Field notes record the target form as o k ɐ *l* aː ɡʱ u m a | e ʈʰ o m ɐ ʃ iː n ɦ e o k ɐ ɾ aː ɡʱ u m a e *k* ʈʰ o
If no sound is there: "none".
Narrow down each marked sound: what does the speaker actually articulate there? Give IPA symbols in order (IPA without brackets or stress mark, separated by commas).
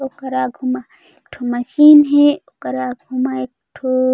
ɾ, k